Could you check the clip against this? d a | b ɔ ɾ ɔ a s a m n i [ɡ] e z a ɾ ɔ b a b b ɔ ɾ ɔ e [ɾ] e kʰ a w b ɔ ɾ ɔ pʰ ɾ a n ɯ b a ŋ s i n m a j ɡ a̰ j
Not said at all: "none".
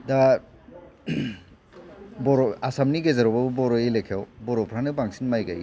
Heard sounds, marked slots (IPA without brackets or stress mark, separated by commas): ɡ, l